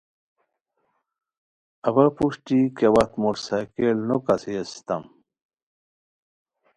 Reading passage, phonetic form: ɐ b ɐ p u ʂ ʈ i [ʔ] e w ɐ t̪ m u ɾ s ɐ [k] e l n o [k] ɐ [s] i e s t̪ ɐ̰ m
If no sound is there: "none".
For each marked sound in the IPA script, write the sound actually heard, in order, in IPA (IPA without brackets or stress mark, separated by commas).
k, k, k, s